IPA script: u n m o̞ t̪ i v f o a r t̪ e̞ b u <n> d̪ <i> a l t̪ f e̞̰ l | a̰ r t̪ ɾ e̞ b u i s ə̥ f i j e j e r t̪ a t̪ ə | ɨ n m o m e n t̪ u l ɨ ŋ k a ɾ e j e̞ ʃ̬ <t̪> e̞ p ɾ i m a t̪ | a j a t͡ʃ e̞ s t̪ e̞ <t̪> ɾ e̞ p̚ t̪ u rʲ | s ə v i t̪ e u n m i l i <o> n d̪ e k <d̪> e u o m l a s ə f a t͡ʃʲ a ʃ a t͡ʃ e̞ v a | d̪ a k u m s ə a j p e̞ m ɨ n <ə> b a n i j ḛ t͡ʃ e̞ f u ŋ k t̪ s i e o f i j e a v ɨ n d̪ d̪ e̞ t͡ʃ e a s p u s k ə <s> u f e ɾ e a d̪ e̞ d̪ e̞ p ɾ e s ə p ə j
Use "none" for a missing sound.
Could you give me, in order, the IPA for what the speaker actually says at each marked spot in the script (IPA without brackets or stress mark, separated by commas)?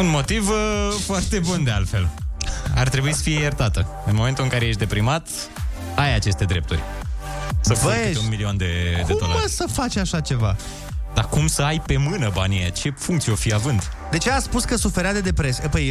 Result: n, e, d̪, d̪, o, d̪, ə, s